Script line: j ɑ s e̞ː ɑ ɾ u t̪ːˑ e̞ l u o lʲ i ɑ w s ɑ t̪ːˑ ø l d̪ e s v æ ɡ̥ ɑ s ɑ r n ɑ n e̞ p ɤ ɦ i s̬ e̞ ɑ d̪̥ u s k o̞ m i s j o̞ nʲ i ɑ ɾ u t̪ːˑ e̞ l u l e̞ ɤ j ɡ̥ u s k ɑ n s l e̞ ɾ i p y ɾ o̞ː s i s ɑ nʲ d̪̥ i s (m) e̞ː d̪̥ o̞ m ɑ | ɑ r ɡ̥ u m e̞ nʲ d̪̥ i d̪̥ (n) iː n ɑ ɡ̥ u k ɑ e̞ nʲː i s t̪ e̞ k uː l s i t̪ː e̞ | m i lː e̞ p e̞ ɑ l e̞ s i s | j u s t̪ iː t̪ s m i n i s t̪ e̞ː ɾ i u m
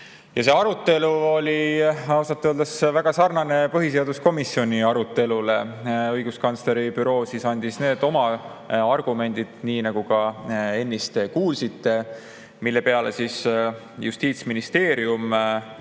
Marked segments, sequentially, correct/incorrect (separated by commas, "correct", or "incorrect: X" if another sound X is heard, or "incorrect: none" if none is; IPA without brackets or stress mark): incorrect: n, correct